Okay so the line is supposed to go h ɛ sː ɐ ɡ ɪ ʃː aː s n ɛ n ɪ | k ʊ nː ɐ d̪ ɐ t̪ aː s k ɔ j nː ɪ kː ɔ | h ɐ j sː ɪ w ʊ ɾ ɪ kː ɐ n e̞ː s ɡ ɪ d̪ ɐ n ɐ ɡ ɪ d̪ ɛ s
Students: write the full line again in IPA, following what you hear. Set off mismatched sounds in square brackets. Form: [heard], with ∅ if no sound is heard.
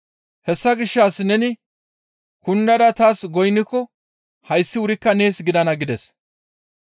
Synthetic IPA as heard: h ɛ sː ɐ ɡ ɪ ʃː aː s n ɛ n ɪ | k ʊ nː ɐ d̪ ɐ t̪ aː s [ɡ] ɔ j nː ɪ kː ɔ | h ɐ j sː ɪ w ʊ ɾ ɪ kː ɐ n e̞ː s ɡ ɪ d̪ ɐ n ɐ ɡ ɪ d̪ ɛ s